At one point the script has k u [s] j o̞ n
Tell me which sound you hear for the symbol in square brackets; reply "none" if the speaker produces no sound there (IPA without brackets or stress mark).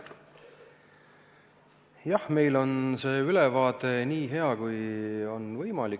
none